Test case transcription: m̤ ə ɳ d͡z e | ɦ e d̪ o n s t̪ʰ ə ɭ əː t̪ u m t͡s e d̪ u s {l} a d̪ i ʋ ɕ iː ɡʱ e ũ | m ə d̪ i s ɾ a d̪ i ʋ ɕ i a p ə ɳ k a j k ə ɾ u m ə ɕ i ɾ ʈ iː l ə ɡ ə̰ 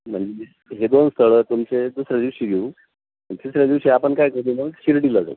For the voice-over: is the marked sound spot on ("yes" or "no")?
no